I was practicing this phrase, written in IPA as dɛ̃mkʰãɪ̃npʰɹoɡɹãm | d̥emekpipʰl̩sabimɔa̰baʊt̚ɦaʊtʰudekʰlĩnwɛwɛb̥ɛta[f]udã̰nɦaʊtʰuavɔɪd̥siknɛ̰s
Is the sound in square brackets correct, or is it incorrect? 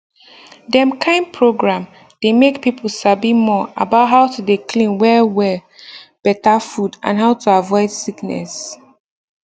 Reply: correct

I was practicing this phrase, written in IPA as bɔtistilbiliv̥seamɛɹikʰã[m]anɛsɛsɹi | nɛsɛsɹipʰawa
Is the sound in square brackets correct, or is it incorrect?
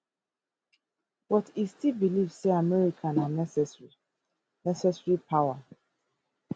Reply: incorrect: n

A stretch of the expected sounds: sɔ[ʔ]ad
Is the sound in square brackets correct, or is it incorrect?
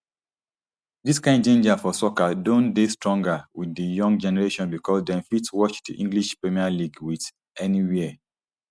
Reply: incorrect: k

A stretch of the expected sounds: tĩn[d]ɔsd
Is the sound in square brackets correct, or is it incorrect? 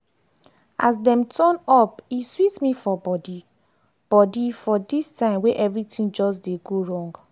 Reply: incorrect: d͡ʒ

